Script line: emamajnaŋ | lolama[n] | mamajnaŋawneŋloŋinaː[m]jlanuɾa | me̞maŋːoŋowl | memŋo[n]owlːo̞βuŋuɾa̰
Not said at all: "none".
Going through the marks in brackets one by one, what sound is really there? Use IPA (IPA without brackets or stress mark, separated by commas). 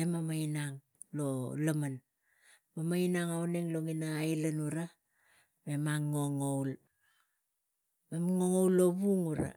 n, none, ŋ